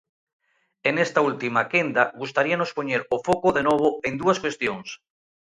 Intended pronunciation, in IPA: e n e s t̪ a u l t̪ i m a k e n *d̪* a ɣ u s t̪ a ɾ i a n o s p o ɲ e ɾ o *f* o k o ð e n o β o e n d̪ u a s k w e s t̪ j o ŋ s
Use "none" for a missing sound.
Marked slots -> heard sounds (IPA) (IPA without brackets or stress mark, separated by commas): d̪, f